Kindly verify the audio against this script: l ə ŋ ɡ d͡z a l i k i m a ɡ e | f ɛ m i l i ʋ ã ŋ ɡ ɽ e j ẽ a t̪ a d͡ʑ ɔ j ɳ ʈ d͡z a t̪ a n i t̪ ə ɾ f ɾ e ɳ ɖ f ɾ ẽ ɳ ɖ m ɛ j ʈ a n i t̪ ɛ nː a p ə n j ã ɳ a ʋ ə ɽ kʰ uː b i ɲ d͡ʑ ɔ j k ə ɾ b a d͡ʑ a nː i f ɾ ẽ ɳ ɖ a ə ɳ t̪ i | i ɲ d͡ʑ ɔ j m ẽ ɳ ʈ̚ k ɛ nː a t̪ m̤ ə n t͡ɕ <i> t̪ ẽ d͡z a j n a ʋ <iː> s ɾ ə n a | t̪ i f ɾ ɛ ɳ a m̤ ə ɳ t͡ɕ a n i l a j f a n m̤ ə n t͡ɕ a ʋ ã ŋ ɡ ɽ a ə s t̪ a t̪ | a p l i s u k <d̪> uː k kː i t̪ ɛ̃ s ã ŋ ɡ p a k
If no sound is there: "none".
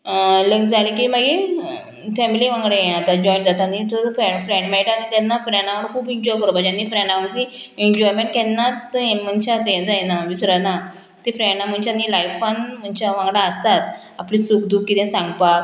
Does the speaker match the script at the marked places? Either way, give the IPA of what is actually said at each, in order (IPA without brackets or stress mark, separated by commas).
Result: a, i, d̪